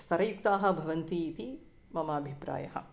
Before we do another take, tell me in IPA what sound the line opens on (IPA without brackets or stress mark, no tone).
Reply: s